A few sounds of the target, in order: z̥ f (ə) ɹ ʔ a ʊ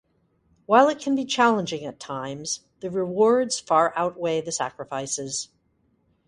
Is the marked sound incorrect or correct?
incorrect